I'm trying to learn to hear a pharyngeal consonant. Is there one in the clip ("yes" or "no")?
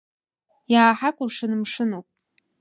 yes